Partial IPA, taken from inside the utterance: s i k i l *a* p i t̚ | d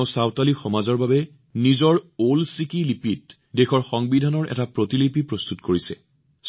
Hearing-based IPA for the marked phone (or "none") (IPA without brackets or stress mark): i